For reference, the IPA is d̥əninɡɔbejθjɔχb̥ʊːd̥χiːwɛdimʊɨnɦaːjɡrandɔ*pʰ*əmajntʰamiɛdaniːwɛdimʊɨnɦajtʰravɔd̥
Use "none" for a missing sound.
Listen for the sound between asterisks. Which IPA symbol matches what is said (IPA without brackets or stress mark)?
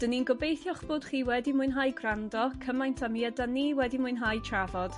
kʰ